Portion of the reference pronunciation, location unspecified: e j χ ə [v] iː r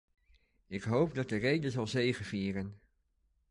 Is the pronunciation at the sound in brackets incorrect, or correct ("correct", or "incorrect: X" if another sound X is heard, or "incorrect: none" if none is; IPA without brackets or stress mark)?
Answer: correct